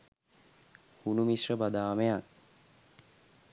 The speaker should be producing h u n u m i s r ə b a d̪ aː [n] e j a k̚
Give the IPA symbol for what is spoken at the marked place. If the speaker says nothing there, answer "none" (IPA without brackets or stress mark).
m